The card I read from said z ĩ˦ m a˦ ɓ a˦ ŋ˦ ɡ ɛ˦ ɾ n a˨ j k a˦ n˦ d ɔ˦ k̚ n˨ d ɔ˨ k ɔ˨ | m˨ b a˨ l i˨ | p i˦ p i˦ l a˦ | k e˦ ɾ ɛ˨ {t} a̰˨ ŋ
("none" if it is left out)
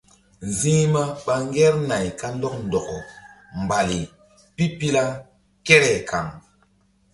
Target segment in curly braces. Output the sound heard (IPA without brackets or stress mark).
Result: k